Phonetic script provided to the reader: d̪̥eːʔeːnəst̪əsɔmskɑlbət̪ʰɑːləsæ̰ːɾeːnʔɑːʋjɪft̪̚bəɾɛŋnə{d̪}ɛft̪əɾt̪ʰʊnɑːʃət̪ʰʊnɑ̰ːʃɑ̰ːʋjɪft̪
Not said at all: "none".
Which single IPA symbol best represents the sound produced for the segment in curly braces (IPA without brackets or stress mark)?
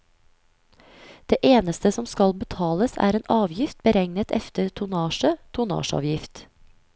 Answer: t̪